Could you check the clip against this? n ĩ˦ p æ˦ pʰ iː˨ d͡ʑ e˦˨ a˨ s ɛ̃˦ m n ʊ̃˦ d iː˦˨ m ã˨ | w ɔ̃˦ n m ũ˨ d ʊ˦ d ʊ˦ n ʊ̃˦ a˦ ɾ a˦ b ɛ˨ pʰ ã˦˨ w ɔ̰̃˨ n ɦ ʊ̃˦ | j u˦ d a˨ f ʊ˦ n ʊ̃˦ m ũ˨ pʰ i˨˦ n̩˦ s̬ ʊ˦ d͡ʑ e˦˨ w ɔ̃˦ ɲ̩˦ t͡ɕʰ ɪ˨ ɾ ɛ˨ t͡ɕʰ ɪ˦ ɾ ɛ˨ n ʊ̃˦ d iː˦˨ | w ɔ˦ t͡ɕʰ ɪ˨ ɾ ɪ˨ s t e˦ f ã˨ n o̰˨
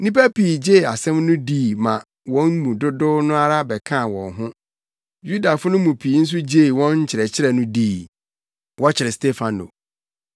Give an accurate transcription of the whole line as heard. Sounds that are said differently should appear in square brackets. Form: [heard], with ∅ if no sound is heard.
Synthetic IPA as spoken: n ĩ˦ p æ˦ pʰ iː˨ d͡ʑ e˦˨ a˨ s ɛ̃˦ m n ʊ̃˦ d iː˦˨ m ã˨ | w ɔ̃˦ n m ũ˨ d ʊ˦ d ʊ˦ n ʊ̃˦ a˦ ɾ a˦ b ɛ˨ [kʰ] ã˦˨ w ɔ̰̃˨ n ɦ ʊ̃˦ | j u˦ d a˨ f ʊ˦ n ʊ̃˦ m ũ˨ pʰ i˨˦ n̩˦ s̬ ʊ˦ d͡ʑ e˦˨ w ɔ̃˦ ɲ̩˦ t͡ɕʰ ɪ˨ ɾ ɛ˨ t͡ɕʰ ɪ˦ ɾ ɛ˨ n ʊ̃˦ d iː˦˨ | w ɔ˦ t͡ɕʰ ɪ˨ ɾ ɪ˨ s t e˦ f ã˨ n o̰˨

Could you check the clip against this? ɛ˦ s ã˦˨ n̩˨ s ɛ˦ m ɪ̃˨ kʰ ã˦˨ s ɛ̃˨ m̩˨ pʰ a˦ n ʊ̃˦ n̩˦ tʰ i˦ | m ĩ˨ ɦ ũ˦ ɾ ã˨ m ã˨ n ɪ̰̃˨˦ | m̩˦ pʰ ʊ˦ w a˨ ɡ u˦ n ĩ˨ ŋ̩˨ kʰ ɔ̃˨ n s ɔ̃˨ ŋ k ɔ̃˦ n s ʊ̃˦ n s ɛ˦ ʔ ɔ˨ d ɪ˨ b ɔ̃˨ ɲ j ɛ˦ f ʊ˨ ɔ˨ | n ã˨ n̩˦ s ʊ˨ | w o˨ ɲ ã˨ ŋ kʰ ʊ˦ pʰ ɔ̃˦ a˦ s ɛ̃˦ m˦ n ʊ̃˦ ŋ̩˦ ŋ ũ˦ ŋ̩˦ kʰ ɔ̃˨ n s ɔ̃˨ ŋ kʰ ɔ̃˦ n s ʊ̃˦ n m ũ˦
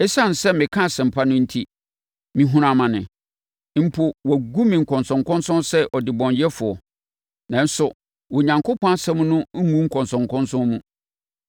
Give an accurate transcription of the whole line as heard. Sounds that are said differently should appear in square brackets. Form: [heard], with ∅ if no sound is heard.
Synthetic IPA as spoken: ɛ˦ s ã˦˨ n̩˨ s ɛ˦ m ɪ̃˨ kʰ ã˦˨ s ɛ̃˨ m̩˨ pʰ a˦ n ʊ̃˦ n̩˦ tʰ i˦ | m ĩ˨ ɦ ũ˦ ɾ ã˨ m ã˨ n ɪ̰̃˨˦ | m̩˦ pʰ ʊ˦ w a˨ ɡ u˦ [m] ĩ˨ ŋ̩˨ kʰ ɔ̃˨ n s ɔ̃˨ ŋ k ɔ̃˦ n s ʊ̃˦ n s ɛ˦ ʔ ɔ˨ d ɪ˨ b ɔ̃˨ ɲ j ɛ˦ f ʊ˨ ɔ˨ | n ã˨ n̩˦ s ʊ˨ | w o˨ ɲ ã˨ ŋ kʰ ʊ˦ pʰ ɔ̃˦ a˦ s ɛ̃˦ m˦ n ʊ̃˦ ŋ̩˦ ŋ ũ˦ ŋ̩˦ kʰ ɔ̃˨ n s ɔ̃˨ ŋ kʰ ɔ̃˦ n s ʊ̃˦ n m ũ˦

